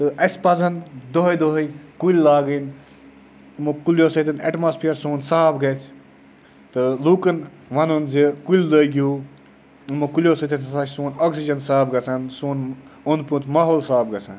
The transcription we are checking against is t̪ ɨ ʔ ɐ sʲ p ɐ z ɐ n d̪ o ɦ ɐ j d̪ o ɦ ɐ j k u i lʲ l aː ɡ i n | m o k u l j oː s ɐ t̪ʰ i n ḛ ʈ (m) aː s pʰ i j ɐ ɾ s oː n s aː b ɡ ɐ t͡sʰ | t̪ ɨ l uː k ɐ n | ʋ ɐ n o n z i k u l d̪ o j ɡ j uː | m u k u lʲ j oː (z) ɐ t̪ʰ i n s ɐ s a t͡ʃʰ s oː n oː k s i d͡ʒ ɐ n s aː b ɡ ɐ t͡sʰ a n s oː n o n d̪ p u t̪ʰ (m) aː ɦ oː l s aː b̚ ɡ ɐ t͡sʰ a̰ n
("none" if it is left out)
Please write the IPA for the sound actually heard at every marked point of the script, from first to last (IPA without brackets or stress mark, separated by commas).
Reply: m, s, m